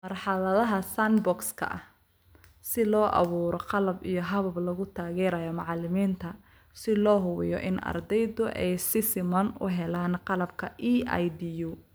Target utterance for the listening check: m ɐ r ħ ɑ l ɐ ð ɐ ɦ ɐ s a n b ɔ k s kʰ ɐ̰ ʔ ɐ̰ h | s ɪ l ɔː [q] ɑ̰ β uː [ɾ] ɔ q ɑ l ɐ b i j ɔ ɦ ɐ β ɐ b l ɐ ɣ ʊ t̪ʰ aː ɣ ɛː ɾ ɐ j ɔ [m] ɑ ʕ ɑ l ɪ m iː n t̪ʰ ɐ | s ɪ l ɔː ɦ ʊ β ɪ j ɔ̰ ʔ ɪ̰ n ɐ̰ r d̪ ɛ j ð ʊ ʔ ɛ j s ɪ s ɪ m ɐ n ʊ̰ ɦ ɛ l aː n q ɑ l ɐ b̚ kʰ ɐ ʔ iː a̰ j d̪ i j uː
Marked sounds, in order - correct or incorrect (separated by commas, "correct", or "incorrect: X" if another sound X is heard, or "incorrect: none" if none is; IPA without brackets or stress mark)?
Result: incorrect: ʔ, correct, correct